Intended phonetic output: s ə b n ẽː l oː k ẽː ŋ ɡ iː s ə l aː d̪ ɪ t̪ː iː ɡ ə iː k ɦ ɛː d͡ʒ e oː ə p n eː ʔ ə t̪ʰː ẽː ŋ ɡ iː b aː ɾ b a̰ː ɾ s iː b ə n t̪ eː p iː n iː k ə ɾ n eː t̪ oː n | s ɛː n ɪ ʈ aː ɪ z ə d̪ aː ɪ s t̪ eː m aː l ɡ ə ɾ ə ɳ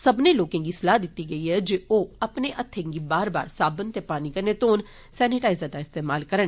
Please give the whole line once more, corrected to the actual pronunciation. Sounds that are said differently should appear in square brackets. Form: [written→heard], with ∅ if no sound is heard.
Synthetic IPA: s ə b n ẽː l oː k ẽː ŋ ɡ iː s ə l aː d̪ ɪ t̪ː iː ɡ ə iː [k→∅] ɦ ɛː d͡ʒ e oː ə p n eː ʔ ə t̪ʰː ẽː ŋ ɡ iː b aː ɾ b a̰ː ɾ s [iː→aː] b ə n t̪ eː p [iː→aː] n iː k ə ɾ n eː t̪ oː n | s ɛː n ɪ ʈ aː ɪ z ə d̪ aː ɪ s t̪ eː m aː l [ɡ→k] ə ɾ ə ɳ